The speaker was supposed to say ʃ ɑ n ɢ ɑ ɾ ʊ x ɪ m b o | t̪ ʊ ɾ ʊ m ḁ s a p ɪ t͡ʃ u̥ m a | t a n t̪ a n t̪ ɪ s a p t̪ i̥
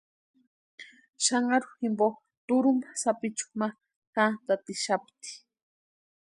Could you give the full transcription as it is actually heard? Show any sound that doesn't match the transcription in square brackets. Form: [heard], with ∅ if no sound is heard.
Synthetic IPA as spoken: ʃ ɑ [ɴ] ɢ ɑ ɾ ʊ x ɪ m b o | t̪ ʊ ɾ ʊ m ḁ s a p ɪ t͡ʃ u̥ m a | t a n t̪ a [∅] t̪ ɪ [ʃ] a p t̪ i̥